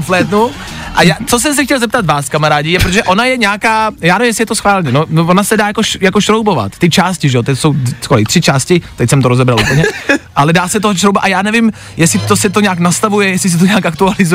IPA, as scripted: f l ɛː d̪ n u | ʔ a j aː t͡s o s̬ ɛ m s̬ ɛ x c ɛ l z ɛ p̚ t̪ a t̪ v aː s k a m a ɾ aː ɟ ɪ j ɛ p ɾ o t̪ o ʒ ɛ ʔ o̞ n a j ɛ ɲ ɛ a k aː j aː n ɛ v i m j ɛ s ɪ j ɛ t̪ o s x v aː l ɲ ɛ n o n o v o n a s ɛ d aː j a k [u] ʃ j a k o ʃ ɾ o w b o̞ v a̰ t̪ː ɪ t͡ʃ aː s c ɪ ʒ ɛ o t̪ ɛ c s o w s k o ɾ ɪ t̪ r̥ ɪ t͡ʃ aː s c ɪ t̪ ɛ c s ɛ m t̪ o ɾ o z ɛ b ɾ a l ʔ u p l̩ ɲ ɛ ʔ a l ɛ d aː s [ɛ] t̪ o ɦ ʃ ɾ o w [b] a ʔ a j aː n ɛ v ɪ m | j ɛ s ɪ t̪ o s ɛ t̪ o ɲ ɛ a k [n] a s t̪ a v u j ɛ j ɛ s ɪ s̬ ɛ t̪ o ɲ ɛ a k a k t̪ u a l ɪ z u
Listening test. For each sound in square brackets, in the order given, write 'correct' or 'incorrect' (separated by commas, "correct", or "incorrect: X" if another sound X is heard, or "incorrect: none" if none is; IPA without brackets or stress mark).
incorrect: o, correct, correct, correct